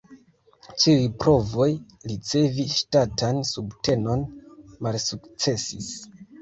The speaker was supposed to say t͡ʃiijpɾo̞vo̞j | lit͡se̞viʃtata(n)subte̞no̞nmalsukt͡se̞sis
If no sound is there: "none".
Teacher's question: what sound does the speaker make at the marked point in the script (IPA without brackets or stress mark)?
n